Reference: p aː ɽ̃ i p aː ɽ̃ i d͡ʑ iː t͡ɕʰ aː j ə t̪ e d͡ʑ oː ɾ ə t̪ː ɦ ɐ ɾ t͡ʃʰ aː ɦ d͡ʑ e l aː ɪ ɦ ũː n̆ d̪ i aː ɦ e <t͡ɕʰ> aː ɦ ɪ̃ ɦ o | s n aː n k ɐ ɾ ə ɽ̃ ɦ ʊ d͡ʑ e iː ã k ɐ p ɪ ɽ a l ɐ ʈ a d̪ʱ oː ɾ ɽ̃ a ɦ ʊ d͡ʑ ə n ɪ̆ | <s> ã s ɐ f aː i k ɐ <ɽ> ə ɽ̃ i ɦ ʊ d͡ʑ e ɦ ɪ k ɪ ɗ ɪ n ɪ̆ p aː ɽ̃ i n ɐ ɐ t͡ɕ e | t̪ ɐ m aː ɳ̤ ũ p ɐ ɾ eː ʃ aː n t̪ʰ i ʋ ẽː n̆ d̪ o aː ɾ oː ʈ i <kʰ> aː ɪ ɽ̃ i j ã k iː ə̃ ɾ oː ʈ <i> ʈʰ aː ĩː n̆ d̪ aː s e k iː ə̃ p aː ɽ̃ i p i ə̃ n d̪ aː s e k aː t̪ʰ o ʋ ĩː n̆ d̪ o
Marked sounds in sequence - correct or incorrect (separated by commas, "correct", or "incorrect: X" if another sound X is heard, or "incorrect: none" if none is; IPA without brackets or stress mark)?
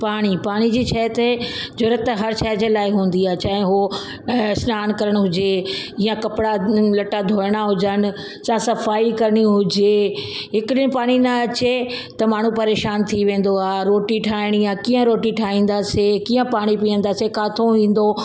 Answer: incorrect: t͡ɕ, correct, incorrect: ɾ, incorrect: ʈʰ, correct